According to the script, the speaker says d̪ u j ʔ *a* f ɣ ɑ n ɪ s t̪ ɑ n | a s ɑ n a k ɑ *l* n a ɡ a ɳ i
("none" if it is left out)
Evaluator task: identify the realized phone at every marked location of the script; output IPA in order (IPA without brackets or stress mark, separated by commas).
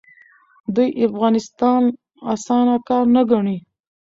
a, ɾ